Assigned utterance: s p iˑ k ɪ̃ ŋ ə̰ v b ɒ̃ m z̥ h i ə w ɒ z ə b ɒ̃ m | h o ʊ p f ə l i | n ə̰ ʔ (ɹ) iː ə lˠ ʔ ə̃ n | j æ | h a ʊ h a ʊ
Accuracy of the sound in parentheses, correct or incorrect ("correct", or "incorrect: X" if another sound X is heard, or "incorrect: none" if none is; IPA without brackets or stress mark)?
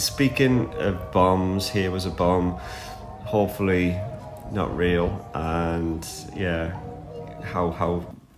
correct